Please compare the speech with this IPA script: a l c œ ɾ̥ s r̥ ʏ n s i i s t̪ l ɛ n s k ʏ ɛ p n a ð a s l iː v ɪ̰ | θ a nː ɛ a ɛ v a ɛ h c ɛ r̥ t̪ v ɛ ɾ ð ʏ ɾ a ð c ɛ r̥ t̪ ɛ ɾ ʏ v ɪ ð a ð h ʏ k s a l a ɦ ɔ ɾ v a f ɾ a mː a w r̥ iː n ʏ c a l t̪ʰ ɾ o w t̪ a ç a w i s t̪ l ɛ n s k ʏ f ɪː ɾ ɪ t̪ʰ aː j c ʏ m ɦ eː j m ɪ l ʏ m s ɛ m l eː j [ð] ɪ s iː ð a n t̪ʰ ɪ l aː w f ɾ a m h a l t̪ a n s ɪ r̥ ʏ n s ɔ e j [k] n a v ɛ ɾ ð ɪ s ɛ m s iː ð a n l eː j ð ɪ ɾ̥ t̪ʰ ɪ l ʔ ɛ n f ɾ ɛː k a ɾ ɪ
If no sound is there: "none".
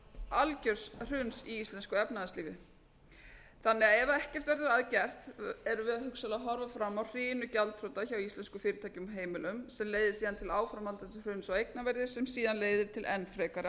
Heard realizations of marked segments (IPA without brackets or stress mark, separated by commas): ð, k